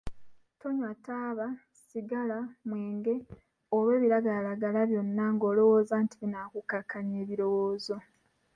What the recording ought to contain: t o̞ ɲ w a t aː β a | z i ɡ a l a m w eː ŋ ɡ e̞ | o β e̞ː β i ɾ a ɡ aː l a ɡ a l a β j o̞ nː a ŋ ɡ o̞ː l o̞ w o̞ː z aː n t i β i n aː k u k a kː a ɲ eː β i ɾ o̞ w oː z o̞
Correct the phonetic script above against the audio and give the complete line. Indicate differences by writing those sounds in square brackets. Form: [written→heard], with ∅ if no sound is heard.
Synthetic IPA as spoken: t o̞ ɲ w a t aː β a | [z→s] i ɡ a l a m w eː ŋ ɡ e̞ | o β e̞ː β i ɾ a ɡ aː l a ɡ a l a β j o̞ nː a ŋ ɡ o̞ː l o̞ w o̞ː z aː n t i β i n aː k u k a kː a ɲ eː β i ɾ o̞ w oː z o̞

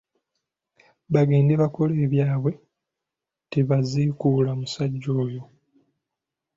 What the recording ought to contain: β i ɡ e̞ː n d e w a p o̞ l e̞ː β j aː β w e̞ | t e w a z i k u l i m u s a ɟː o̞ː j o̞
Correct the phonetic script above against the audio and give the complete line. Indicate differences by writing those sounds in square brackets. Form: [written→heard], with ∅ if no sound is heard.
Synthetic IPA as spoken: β [i→a] ɡ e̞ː n d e [w→β] a [p→k] o̞ l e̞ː β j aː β w e̞ | t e [w→β] a z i k u l [i→a] m u s a ɟː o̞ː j o̞

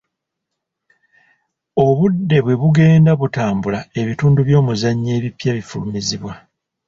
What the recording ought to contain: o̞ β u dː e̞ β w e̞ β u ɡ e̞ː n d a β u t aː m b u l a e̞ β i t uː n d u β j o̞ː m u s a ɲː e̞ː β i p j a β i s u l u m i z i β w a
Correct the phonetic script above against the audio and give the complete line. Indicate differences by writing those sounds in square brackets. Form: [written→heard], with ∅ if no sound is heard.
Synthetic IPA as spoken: o̞ β u dː e̞ β w e̞ β u ɡ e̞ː n d a β u t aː m b u l a e̞ β i t uː n d u β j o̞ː m u [s→z] a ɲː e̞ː β i p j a β i [s→f] u l u m i z i β w a

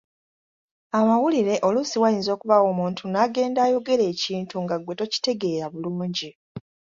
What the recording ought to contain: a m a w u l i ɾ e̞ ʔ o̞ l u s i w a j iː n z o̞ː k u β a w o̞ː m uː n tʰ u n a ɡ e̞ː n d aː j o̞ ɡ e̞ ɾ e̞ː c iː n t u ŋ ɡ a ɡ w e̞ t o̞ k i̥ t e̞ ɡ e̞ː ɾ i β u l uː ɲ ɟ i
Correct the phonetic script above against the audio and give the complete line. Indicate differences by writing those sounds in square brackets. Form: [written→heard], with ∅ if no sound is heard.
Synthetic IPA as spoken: a m a w u l i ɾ e̞ ʔ o̞ l u s i w a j iː n z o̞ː k u β a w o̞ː m uː n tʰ u n a ɡ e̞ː n d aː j o̞ ɡ e̞ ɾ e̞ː c iː n t u ŋ ɡ a ɡ w e̞ t o̞ [k→c] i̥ t e̞ ɡ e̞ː ɾ [i→a] β u l uː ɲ ɟ i

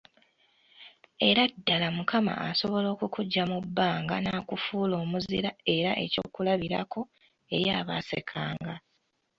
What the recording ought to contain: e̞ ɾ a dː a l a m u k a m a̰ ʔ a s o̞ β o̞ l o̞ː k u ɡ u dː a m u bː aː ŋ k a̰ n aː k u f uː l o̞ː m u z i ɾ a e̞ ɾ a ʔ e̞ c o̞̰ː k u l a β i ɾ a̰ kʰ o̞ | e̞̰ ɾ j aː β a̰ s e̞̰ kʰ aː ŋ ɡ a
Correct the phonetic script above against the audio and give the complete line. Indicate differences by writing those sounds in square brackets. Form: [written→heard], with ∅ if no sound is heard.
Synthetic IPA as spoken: e̞ ɾ a dː a l a m u k a m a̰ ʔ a s o̞ β o̞ l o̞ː k u [ɡ→k] u [dː→ɟː] a m u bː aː ŋ [k→ɡ] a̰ n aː k u f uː l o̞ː m u z i ɾ a e̞ ɾ a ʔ e̞ c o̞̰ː k u l a β i ɾ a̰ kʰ o̞ | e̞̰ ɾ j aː β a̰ s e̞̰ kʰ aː ŋ ɡ a

